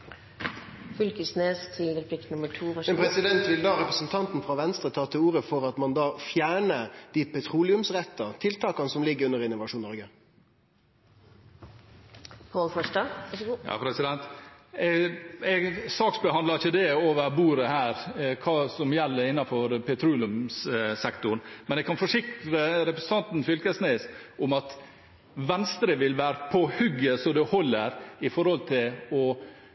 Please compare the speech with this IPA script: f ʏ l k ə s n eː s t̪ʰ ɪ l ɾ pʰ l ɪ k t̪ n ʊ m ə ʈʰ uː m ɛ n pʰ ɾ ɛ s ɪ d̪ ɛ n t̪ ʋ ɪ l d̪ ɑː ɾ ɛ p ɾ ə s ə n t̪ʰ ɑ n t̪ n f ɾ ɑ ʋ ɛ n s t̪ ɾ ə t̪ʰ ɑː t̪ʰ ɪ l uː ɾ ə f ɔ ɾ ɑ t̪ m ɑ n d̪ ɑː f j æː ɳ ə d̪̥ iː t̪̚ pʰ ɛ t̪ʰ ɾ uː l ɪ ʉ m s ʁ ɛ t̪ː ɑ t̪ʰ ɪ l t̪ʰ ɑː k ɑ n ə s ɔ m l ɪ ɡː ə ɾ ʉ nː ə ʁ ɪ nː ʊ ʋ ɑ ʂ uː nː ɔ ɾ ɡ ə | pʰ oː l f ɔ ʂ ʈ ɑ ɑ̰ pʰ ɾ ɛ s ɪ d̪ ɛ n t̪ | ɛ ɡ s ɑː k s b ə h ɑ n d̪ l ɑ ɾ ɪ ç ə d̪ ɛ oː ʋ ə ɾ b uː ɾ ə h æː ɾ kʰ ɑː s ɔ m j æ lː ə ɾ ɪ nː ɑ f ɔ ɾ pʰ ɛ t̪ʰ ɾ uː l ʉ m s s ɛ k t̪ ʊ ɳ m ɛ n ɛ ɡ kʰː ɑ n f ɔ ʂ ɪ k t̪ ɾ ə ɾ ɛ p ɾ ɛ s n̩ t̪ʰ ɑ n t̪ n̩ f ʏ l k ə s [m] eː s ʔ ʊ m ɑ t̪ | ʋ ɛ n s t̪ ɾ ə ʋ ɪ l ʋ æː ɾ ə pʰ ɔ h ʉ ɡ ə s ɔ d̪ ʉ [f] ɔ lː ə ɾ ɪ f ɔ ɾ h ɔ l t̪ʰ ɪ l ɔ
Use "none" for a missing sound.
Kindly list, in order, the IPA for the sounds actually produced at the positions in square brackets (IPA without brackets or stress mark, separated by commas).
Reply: n, h